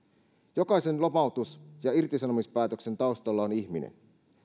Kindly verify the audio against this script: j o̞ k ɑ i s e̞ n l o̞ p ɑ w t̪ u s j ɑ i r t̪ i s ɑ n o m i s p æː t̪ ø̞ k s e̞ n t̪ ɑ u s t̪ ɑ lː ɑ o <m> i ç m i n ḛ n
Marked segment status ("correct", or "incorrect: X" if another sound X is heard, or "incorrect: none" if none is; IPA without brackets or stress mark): incorrect: n